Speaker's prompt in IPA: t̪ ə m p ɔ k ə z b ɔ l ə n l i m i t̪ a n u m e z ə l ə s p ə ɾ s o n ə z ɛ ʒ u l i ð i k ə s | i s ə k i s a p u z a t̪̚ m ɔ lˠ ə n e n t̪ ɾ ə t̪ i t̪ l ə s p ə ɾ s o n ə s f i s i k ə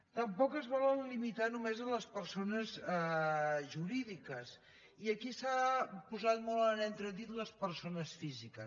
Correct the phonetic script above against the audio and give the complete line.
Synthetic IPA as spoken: t̪ ə m p ɔ k ə z β ɔ l ə n l i m i t̪ a n u m e z ə l ə s p ə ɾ s o n ə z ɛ ʒ u ɾ i ð i k ə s | i ə k i s a p u z a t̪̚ m ɔ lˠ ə n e n t̪ ɾ ə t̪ i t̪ l ə s p ə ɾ s o n ə s f i z i k ə

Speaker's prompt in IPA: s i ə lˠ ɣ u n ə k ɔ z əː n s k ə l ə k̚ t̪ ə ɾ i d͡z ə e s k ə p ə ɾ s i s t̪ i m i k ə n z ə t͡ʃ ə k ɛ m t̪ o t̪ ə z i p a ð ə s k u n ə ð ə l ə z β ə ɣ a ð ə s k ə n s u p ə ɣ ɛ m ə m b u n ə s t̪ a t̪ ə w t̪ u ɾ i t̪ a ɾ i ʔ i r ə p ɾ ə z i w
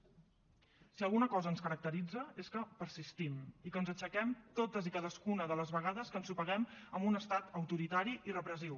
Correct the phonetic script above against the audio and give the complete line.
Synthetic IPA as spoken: s i ə lˠ ɣ u n ə k ɔ z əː n s k ə ɾ ə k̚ t̪ ə ɾ i d͡z ə e s k ə p ə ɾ s i s t̪ i m i k ə n z ə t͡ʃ ə k ɛ m t̪ o t̪ ə z i k a ð ə s k u n ə ð ə l ə z β ə ɣ a ð ə s k ə n s u p ə ɣ ɛ m ə m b u n ə s t̪ a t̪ ə w t̪ u ɾ i t̪ a ɾ i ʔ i r ə p ɾ ə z i w

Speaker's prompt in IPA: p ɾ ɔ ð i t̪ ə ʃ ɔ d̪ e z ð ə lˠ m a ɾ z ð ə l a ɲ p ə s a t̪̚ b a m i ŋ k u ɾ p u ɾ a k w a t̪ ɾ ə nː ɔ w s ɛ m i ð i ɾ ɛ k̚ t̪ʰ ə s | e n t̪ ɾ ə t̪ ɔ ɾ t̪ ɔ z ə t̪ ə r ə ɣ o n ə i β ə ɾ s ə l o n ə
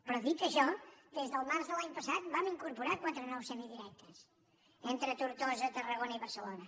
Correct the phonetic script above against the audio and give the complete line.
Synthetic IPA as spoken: p ɾ ɔ ð i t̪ ə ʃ ɔ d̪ e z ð ə lˠ m a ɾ z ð ə l a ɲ p ə s a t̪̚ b a m i ŋ k u ɾ p u ɾ a k w a t̪ ɾ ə n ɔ w s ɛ m i ð i ɾ ɛ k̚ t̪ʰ ə s | e n t̪ ɾ ə t̪ u ɾ t̪ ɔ z ə t̪ ə r ə ɣ o n ə i β ə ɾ s ə l o n ə

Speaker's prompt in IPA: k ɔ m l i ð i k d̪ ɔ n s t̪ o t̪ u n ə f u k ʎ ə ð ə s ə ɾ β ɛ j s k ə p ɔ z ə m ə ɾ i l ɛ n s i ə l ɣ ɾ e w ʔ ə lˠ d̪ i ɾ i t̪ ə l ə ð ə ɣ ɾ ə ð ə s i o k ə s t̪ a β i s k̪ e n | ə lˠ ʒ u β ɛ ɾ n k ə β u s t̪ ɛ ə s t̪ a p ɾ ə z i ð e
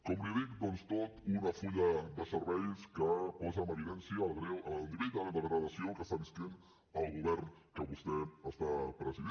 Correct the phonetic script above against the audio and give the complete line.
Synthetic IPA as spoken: k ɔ m l i ð i k d̪ ɔ n s t̪ o t̪ u n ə f u ʎ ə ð ə s ə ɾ β ɛ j s k ə p ɔ z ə m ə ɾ i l ɛ n s i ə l ɣ ɾ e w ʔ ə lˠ d̪ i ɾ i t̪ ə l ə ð ə ɣ ɾ ə ð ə s i o k ə s t̪ a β i s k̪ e n | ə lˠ ɣ u β ɛ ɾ n k ə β u s t̪ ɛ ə s t̪ a p ɾ ə z i ð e

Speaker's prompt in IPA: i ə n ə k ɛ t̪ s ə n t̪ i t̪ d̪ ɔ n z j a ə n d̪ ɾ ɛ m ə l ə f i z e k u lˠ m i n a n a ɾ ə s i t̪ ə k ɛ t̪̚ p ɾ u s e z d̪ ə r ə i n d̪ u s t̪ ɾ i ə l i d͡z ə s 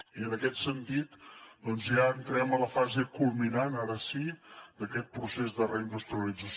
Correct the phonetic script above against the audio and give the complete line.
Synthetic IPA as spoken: i ə n ə k ɛ t̪ s ə n t̪ i t̪ d̪ ɔ n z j a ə n t̪ ɾ ɛ m ə l ə f a z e k u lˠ m i n a n a ɾ ə s i d̪ ə k ɛ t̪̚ p ɾ u s e z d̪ ə r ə i n d̪ u s t̪ ɾ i ə l i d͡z ə s

